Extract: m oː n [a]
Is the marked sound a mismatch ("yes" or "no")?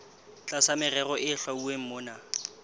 no